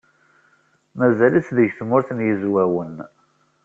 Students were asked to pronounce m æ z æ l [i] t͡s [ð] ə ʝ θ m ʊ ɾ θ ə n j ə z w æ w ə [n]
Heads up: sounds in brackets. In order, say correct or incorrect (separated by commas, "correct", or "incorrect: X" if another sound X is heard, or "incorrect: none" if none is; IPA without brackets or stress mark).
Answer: correct, correct, correct